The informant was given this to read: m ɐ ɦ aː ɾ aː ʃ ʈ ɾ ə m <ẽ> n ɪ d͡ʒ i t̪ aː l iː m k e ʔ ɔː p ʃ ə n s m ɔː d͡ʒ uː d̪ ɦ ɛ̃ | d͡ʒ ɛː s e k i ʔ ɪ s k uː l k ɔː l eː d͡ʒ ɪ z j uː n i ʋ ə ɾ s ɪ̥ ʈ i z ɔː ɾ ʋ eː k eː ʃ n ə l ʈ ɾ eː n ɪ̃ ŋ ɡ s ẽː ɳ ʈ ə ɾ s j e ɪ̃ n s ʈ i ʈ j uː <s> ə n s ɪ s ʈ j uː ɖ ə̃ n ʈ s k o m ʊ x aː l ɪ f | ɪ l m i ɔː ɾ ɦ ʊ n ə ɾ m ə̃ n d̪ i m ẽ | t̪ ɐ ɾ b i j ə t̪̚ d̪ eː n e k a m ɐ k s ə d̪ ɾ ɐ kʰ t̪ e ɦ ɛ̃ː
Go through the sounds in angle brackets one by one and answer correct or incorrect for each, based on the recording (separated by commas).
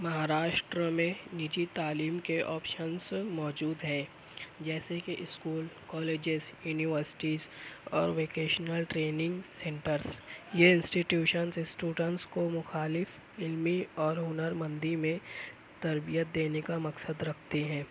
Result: correct, incorrect